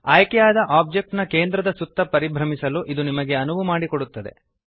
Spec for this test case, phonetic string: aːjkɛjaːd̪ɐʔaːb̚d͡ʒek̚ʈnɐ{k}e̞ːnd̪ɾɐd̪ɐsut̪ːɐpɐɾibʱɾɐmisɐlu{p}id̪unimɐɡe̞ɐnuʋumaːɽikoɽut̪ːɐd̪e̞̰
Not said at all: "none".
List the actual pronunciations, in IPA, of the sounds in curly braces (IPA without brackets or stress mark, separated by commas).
k, ʔ